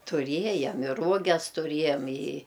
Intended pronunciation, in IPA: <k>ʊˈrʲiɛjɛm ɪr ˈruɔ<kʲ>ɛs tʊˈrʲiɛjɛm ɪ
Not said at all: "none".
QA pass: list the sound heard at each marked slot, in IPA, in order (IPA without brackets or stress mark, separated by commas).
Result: t, ɡʲ